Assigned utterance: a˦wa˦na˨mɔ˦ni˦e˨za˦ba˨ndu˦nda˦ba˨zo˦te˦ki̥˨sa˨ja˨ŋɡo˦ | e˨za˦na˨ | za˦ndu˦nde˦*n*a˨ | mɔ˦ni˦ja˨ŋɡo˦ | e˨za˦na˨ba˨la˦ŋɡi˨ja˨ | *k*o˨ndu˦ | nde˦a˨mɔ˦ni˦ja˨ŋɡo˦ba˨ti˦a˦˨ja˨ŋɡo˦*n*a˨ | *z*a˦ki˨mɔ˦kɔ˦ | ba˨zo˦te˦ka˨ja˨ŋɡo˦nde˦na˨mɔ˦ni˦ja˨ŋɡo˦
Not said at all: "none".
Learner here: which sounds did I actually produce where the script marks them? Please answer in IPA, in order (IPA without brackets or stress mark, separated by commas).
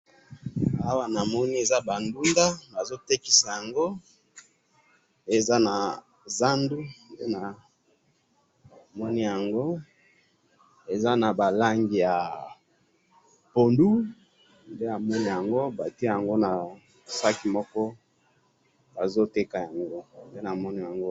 n, p, n, s